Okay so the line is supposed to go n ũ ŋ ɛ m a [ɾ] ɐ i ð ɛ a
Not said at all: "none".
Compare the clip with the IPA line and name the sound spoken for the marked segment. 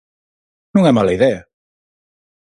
l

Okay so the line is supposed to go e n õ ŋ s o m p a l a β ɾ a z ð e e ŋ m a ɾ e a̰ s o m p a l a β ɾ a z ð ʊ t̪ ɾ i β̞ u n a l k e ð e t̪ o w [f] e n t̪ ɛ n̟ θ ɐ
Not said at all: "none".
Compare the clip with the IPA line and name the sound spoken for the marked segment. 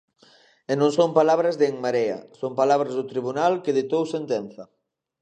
s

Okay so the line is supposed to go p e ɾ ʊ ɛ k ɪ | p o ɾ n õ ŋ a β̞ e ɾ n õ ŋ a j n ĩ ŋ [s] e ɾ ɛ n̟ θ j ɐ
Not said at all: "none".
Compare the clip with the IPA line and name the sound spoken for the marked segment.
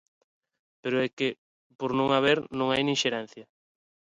ʃ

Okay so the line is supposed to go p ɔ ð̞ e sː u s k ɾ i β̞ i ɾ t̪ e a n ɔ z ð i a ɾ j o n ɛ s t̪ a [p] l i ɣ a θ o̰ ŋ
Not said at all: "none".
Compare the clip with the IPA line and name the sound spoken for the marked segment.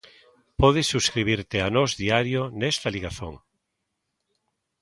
none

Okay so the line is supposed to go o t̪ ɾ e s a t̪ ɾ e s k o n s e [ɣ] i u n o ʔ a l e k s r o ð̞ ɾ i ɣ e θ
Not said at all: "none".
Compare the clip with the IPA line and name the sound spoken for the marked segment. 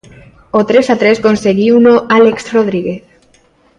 ɣ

